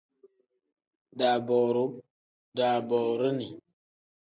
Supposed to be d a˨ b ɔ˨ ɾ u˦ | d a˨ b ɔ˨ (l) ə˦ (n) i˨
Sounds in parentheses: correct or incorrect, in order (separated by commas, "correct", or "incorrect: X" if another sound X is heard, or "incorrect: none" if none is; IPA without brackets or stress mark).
incorrect: ɾ, correct